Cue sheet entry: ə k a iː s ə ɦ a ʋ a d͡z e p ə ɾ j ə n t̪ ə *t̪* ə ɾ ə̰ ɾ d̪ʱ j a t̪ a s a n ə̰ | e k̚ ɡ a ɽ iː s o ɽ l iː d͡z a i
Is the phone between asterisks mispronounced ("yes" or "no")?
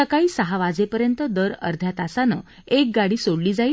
yes